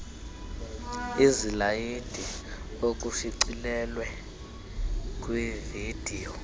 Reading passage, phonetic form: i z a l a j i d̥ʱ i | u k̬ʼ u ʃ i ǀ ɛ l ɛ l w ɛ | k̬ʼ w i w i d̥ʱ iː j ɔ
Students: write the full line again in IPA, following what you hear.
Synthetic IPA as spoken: i z i l a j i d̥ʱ i | o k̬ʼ u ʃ i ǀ i l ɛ l w ɛ | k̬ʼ w i v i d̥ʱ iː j ɔ